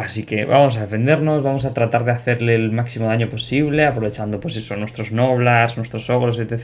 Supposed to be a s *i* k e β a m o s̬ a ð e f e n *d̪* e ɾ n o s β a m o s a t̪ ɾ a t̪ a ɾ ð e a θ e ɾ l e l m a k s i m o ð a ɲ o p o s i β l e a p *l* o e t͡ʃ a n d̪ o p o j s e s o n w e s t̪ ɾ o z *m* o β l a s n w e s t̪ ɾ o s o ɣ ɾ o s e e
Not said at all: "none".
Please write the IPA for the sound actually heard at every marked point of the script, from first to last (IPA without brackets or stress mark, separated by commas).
i, d̪, ɾ, n